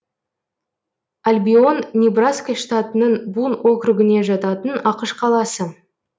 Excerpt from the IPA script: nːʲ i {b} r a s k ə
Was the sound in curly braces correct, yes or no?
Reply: yes